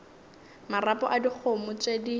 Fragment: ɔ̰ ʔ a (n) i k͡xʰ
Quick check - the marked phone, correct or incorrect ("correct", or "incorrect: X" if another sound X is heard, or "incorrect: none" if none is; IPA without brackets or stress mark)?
incorrect: d